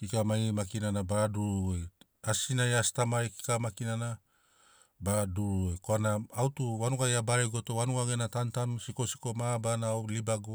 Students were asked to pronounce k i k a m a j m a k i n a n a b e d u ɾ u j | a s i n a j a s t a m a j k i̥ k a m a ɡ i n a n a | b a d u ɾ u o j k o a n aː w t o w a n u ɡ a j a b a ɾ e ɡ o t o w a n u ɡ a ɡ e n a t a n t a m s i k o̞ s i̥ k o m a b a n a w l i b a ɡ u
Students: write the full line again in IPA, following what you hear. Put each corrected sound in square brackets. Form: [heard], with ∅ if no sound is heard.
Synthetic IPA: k i k a m a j m a k i n a n a b [a] d u ɾ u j | a s i n a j a s t a m a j k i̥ k a m a [k] i n a n a | b a d u ɾ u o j k o a n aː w t [u] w a n u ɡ a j a b a ɾ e ɡ o t o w a n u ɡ a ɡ e n a t a n t a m s i k o̞ s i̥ k o m a b a n a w l i b a ɡ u